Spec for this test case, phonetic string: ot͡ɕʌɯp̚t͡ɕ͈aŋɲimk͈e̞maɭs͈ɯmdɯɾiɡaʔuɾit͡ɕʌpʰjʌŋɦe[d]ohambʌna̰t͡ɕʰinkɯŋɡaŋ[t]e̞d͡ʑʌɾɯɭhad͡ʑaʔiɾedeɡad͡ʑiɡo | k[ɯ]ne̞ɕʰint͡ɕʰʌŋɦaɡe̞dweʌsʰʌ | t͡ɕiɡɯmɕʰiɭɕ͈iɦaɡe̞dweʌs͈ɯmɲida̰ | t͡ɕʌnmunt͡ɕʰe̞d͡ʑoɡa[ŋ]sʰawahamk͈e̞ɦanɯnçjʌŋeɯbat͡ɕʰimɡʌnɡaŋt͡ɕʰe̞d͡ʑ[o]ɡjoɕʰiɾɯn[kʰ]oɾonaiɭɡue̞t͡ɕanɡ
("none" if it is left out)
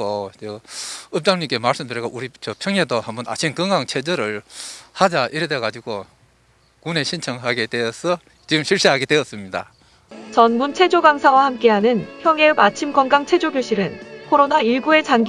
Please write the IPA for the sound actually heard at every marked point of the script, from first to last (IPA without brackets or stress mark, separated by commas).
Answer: d, t͡ɕʰ, u, ŋ, o, kʰ